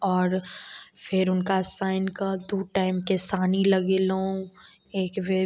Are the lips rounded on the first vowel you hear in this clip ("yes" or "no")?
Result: yes